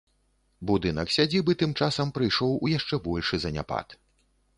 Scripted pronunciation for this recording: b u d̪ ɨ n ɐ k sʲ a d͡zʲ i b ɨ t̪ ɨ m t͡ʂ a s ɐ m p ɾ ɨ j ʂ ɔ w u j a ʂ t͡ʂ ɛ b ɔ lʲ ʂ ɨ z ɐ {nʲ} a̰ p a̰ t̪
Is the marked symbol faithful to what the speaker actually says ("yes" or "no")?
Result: yes